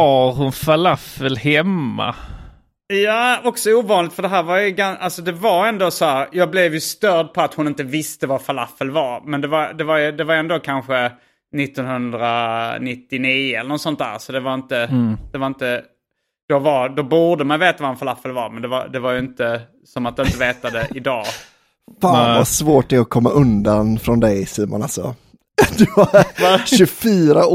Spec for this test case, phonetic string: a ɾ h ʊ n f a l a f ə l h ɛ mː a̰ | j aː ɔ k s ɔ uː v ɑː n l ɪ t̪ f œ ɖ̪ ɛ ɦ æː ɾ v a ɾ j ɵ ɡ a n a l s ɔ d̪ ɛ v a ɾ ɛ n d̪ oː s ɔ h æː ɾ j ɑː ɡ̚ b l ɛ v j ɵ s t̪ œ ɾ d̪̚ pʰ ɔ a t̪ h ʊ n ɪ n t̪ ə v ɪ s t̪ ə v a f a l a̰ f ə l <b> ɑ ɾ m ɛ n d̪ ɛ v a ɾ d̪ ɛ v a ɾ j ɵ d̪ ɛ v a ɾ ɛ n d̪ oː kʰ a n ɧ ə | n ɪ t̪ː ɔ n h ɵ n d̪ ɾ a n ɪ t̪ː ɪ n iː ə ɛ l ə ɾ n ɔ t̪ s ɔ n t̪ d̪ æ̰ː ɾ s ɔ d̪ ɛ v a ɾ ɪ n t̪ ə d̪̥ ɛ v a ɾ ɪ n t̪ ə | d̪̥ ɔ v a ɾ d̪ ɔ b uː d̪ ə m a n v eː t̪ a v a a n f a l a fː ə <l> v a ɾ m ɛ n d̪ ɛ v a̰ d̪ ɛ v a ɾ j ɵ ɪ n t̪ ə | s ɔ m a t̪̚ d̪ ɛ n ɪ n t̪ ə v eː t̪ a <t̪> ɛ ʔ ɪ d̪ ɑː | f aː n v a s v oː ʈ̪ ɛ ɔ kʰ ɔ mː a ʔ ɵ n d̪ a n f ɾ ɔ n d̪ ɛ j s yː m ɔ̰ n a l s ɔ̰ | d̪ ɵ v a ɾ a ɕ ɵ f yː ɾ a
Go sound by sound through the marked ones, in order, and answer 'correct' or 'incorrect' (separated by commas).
incorrect, correct, incorrect